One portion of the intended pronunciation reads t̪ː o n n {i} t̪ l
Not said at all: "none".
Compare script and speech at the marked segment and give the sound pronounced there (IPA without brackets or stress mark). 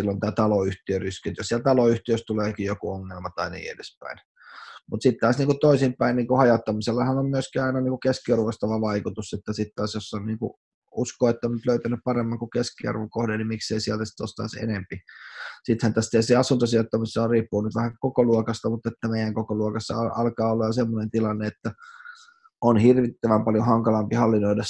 y